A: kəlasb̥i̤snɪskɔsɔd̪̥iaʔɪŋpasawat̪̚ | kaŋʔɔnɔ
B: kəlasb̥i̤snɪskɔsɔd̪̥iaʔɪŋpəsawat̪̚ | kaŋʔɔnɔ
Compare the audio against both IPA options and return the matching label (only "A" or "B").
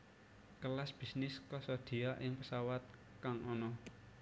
B